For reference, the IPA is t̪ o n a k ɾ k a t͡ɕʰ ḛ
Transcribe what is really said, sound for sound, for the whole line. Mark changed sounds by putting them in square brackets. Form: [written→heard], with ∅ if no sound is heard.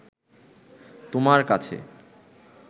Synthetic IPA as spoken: t̪ o [n→m] a [k→∅] ɾ k a t͡ɕʰ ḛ